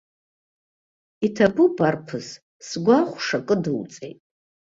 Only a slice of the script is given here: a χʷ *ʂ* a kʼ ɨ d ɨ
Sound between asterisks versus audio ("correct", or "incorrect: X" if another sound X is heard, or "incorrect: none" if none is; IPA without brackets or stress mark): correct